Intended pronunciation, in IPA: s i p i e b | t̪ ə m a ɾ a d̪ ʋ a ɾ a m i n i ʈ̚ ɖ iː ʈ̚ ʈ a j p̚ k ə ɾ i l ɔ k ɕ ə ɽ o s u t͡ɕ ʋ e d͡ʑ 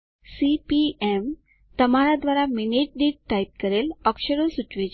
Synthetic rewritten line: s i p i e m | t̪ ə m a ɾ a d̪ ʋ a ɾ a m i n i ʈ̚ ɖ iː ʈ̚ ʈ a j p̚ k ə ɾ e l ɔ k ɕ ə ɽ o s u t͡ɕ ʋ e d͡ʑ